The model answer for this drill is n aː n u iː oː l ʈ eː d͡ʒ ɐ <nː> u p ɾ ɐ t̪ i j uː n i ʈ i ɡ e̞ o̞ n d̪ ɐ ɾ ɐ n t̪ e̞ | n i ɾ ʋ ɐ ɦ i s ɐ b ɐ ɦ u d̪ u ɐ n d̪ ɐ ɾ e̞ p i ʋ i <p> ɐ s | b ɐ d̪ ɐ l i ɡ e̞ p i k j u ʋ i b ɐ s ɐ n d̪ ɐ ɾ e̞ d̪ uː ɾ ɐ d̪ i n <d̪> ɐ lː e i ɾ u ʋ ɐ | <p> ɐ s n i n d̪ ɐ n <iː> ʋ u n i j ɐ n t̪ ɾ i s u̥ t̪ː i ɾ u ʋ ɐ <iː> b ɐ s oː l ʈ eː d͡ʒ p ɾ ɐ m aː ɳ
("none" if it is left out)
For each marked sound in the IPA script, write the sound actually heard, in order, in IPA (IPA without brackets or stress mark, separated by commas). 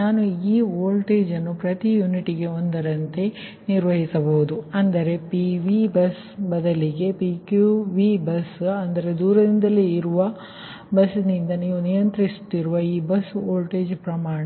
nː, b, d̪, b, iː, iː